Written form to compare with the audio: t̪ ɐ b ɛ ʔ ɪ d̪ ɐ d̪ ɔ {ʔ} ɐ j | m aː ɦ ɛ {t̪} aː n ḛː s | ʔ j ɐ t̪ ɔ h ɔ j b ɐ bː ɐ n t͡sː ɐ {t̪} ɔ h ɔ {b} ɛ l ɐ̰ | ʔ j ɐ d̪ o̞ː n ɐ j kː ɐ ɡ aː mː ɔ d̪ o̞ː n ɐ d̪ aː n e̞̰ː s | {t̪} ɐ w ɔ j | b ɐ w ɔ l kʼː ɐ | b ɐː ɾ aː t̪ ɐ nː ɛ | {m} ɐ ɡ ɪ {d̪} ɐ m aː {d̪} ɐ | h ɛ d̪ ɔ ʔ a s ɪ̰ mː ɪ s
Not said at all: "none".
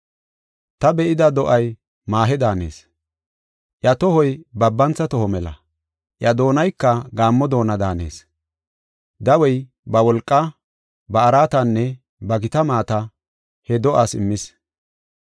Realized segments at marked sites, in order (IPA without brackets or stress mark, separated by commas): ʔ, d̪, t̪, m, d̪, b, t̪, t̪